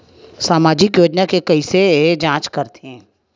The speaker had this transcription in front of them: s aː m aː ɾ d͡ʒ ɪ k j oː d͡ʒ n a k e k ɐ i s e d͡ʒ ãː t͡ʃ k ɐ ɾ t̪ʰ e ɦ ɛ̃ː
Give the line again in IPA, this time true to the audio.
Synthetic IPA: s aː m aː d͡ʒ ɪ k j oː d͡ʒ n a k e k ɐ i s e d͡ʒ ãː t͡ʃ k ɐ ɾ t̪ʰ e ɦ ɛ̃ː